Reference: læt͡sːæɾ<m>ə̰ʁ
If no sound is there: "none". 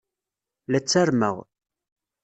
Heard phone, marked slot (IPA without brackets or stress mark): m